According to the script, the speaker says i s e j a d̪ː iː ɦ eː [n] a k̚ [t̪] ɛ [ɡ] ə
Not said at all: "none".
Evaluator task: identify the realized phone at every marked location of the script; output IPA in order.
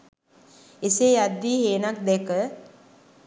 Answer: n, d̪, k

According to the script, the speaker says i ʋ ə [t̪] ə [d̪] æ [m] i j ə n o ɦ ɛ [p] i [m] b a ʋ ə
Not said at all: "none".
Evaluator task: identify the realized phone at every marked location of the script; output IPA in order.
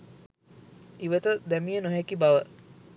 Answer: t̪, d̪, m, k, none

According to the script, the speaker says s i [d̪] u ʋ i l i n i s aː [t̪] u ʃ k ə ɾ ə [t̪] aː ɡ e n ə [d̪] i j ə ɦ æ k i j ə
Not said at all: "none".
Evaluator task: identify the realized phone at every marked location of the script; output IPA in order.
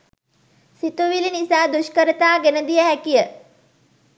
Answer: t̪, d̪, t̪, d̪

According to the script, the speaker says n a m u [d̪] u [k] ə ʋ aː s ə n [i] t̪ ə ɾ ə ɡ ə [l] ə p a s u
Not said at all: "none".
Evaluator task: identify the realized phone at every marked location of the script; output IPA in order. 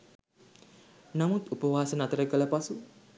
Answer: t̪, p, a, l

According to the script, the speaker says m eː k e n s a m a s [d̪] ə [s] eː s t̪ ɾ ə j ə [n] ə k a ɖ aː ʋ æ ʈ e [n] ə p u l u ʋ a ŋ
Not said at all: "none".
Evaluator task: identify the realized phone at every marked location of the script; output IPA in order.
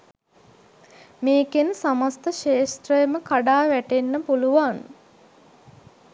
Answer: t̪, ʃ, m, nː

